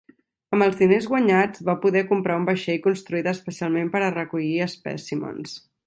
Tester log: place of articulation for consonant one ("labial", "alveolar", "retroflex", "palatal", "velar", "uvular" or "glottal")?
labial